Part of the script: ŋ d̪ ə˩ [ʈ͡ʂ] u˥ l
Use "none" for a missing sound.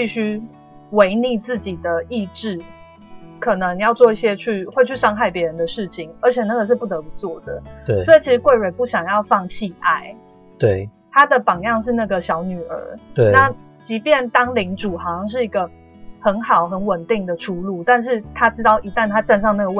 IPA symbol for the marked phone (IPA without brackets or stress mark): ʈ͡ʂʰ